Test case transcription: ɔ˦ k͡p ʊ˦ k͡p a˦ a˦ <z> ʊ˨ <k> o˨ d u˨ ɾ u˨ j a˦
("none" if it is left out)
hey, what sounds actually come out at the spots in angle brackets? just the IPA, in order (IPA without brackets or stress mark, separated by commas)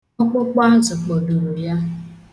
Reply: z, k͡p